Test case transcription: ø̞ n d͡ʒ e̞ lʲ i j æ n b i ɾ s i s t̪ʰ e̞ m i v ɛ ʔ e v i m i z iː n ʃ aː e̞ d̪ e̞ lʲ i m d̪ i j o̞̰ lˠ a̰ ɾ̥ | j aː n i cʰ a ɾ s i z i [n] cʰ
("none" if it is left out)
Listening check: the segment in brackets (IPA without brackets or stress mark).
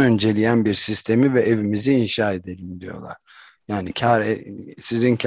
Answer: n